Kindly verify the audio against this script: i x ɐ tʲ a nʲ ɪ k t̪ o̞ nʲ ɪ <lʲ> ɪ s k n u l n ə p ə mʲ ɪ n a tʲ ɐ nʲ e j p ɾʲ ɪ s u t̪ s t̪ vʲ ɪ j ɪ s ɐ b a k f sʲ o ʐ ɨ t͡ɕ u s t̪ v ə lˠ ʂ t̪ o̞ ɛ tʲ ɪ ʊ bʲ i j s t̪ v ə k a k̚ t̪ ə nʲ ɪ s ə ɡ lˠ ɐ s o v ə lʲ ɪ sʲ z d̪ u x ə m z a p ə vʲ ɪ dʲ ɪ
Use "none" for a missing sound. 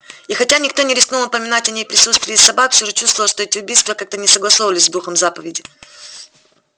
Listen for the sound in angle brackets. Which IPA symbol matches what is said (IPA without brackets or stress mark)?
ɾʲ